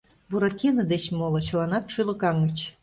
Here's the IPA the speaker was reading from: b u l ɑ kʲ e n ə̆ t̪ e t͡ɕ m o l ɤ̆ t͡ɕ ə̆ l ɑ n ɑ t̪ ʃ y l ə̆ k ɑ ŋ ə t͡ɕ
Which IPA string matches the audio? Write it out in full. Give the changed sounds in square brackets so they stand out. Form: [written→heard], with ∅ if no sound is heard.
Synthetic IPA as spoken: b u [l→ɾ] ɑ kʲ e n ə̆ [t̪→d̪] e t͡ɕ m o l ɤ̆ t͡ɕ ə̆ l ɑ n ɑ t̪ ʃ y l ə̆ k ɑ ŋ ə t͡ɕ